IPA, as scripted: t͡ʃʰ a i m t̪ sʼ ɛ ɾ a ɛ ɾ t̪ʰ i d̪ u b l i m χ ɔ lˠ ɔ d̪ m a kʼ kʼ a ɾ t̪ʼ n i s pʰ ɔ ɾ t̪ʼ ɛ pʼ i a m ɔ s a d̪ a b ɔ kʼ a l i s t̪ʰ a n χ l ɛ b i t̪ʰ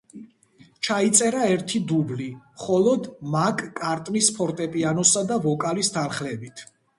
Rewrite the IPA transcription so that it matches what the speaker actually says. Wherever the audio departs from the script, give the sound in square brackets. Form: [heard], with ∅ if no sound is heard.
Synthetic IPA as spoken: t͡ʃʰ a i [∅] t̪ sʼ ɛ ɾ a ɛ ɾ t̪ʰ i d̪ u b l i m χ ɔ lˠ ɔ d̪ m a kʼ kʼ a ɾ t̪ʼ n i s pʰ ɔ ɾ t̪ʼ ɛ pʼ i a [n] ɔ s a d̪ a [v] ɔ kʼ a l i s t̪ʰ a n χ l ɛ b i t̪ʰ